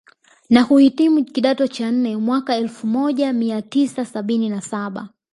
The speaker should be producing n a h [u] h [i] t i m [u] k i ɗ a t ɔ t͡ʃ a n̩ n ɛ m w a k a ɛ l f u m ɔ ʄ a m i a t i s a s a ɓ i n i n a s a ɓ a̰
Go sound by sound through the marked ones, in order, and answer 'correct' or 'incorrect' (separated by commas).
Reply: correct, correct, correct